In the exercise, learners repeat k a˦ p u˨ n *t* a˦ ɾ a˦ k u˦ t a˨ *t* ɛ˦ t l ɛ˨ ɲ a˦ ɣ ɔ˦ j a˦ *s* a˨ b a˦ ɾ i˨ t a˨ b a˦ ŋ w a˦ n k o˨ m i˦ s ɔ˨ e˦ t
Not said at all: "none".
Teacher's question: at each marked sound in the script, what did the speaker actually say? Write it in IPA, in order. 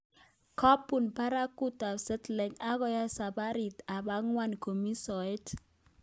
p, s, s

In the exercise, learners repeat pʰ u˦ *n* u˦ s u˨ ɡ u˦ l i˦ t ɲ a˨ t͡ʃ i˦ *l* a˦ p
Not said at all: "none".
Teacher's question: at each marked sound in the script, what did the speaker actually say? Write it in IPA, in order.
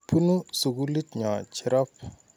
n, ɾ

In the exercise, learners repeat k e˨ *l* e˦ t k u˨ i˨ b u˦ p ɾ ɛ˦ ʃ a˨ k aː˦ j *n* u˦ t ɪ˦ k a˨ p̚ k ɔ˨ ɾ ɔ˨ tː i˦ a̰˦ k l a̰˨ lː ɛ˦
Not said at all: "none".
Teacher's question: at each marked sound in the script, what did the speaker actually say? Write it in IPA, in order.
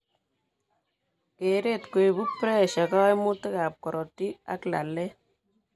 ɾ, m

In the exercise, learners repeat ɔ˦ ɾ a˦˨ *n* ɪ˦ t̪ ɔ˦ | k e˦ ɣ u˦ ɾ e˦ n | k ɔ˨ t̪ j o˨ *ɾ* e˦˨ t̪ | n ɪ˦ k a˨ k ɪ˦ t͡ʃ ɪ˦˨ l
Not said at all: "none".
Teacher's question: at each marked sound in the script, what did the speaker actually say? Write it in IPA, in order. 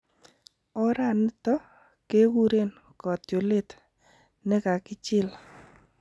n, l

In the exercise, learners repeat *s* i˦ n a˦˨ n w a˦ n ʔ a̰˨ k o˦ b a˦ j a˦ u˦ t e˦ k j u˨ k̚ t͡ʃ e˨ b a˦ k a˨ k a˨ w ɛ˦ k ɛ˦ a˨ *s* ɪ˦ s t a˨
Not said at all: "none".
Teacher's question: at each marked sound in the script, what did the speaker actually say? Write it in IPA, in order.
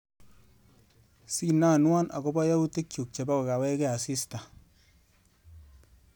s, s

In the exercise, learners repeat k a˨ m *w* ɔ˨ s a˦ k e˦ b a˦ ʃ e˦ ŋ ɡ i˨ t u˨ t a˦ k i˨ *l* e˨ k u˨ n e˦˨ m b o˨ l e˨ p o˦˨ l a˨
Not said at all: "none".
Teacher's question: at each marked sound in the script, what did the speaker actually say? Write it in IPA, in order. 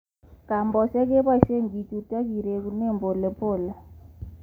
b, ɾ

